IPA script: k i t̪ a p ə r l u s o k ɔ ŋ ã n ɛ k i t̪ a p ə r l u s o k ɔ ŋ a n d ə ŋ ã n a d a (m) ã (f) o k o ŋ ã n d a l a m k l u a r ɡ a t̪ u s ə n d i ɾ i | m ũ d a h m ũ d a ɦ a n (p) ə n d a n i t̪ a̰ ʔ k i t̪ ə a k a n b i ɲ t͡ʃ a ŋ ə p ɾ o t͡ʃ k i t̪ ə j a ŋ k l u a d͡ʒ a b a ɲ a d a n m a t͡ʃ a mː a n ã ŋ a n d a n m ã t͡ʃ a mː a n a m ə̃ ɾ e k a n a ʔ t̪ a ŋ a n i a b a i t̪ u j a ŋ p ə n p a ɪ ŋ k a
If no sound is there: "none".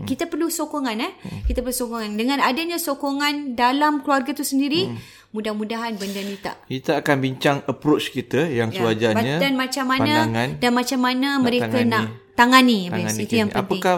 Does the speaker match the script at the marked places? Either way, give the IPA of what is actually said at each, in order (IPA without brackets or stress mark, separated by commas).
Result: ɲ, s, b